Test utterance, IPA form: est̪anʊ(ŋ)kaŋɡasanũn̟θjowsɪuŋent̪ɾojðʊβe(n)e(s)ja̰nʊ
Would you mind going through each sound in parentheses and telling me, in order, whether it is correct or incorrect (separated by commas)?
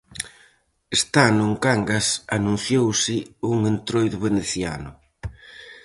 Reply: correct, correct, incorrect